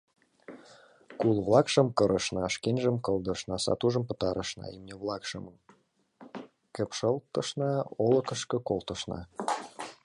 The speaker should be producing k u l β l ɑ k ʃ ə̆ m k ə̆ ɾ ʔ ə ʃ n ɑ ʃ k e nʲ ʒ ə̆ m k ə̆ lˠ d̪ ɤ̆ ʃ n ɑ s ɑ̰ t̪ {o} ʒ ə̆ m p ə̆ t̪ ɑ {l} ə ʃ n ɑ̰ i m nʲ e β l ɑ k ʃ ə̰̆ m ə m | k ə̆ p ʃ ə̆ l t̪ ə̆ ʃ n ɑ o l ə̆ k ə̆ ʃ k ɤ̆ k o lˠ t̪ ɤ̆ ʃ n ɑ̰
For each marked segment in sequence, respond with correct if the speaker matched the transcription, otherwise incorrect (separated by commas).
incorrect, incorrect